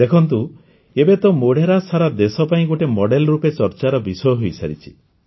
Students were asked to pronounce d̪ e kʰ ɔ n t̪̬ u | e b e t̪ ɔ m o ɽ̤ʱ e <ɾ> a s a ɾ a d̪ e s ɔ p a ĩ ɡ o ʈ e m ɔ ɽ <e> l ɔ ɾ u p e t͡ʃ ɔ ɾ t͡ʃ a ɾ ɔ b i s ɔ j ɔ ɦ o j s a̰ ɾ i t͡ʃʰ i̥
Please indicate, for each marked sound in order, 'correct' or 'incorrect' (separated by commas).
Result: correct, correct